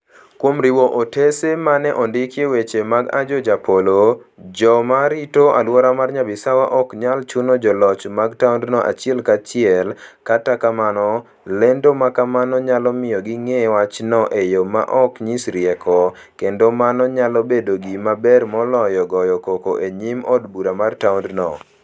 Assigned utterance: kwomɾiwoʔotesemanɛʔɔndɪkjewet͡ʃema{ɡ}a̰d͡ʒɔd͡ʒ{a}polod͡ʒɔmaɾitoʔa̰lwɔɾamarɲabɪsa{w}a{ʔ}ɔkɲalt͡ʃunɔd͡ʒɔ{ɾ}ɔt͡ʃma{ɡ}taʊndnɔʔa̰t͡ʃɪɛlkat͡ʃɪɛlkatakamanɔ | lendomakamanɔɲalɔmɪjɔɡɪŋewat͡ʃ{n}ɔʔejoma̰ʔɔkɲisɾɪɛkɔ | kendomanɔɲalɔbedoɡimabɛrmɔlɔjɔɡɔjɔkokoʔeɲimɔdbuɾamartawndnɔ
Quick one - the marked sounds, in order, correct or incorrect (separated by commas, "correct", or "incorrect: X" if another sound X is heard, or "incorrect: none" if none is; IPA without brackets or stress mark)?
correct, correct, correct, correct, incorrect: l, correct, correct